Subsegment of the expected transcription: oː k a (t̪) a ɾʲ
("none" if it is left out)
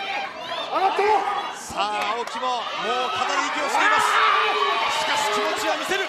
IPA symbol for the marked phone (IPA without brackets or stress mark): t̪